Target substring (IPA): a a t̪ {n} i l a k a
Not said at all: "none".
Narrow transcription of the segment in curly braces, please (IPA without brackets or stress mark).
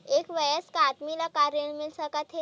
m